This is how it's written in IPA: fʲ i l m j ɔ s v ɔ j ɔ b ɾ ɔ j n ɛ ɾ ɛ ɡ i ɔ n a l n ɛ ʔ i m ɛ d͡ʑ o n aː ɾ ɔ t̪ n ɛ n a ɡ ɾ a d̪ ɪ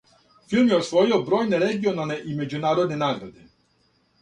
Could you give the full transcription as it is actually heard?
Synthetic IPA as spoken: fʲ i l m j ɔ s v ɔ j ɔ b ɾ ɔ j n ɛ ɾ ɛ ɡ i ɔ n a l n ɛ ʔ i m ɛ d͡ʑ u n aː ɾ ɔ d̪ n ɛ n a ɡ ɾ a d̪ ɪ